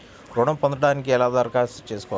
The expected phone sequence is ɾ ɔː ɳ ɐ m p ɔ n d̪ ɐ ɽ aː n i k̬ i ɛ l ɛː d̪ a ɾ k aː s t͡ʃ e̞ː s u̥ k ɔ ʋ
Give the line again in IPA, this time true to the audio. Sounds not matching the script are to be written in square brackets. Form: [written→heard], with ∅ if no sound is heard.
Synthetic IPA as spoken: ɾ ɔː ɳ ɐ m p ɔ n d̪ ɐ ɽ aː n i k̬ i ɛ l [ɛː→aː] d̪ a ɾ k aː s t͡ʃ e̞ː s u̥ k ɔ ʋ